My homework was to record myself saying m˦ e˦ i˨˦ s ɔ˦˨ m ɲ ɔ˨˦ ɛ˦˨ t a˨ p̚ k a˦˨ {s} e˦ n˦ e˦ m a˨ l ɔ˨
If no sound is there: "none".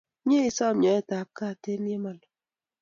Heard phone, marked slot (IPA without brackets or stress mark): t